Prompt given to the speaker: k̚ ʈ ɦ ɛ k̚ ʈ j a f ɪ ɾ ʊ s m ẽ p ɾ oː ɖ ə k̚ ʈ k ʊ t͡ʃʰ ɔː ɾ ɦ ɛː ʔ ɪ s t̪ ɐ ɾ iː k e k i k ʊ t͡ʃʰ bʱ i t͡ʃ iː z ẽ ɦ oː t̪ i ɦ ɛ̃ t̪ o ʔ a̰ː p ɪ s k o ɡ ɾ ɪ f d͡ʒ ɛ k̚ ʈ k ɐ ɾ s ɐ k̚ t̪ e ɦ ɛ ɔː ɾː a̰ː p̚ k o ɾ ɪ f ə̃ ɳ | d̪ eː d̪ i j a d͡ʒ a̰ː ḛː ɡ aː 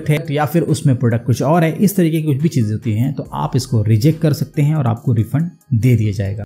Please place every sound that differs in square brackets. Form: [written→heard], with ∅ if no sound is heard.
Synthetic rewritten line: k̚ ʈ ɦ ɛ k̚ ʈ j a f ɪ ɾ ʊ s m ẽ p ɾ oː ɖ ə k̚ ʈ k ʊ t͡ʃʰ ɔː ɾ ɦ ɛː ʔ ɪ s t̪ ɐ ɾ iː k e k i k ʊ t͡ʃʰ bʱ i t͡ʃ iː z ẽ ɦ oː t̪ i ɦ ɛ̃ t̪ o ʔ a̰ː p ɪ s k o [ɡ→∅] ɾ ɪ [f→∅] d͡ʒ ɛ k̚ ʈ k ɐ ɾ s ɐ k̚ t̪ e ɦ [ɛ→ɛ̃] ɔː [ɾː→ɾ] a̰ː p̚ k o ɾ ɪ f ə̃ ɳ | d̪ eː d̪ i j a d͡ʒ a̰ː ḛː ɡ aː